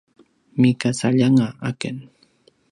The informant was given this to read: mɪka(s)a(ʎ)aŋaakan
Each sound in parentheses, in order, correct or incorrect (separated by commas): correct, correct